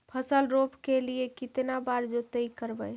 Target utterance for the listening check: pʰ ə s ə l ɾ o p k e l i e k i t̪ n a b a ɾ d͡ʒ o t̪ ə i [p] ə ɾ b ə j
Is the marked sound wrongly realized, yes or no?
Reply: yes